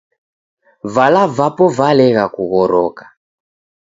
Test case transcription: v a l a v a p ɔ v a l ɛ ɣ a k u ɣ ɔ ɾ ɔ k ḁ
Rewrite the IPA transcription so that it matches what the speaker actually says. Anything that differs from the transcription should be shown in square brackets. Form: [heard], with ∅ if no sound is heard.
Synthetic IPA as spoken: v a l a v a p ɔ v a l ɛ ɣ a k u ɣ ɔ ɾ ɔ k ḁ